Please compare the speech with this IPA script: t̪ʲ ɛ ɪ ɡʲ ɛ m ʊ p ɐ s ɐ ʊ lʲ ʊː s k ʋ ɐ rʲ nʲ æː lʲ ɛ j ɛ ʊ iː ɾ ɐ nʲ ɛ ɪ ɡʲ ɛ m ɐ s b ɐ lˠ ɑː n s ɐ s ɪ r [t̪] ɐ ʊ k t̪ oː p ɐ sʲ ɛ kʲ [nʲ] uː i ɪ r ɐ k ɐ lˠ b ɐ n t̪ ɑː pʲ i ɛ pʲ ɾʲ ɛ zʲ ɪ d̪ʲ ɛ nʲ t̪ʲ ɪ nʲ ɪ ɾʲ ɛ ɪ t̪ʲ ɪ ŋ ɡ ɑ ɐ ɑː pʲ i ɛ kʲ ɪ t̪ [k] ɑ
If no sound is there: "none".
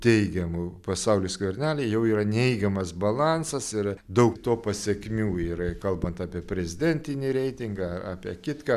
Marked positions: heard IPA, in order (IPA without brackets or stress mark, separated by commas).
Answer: d̪, mʲ, k